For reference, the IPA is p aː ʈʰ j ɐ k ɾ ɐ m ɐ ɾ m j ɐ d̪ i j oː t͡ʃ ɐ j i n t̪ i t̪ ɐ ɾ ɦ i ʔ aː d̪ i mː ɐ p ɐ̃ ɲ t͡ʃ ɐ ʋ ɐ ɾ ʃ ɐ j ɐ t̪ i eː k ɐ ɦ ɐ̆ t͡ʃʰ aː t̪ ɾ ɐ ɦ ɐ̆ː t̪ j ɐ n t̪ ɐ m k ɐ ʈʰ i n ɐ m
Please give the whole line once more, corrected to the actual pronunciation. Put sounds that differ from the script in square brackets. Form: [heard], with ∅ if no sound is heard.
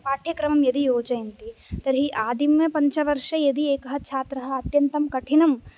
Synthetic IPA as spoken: p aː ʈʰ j ɐ k ɾ ɐ m ɐ [∅] m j ɐ d̪ i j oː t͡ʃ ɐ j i n t̪ i t̪ ɐ ɾ ɦ i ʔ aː d̪ i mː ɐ p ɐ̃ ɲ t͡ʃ ɐ ʋ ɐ ɾ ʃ ɐ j ɐ [d̪] i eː k ɐ ɦ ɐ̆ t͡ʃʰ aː t̪ ɾ ɐ ɦ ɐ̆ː t̪ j ɐ n t̪ ɐ m k ɐ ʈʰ i n ɐ m